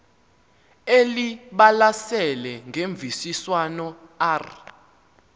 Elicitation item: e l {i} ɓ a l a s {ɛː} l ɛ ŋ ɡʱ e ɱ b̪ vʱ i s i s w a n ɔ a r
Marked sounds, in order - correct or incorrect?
correct, incorrect: ɛ

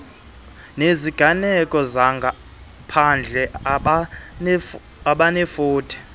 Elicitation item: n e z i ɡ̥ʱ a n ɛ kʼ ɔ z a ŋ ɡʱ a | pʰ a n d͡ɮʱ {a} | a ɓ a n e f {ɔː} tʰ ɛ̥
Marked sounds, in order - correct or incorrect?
incorrect: ɛ, incorrect: uː

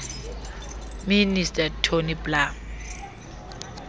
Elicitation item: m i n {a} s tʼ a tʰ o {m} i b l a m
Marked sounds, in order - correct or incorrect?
incorrect: i, incorrect: n

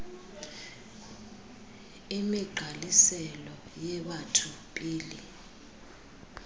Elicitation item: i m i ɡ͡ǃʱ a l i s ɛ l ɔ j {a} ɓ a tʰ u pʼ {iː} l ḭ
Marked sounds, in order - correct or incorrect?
incorrect: ɛ, correct

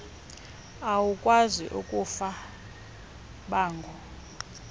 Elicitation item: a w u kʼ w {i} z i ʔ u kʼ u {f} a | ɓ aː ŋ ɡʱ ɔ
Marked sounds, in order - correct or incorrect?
incorrect: a, correct

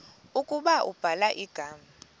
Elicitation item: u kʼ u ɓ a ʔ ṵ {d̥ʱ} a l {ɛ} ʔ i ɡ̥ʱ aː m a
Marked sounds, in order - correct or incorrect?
incorrect: b̥ʱ, incorrect: a

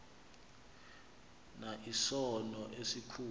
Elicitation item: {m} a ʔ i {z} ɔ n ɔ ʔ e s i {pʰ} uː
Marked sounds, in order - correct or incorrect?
incorrect: n, incorrect: s, incorrect: kʰ

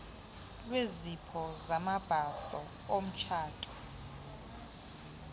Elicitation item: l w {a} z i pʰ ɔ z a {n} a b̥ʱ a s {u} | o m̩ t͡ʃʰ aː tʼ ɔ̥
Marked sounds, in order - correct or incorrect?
incorrect: e, incorrect: m, incorrect: ɔ

